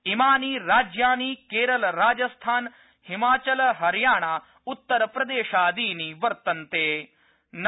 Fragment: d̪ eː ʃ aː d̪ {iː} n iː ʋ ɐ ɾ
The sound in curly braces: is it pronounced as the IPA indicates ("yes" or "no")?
yes